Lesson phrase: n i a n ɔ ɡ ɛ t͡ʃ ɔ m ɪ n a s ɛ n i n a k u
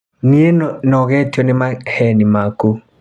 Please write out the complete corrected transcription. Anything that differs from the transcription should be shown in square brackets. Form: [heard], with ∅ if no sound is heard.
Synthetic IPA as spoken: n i [e] n ɔ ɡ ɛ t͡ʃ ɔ [n] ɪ [m] a [h] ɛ n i [m] a k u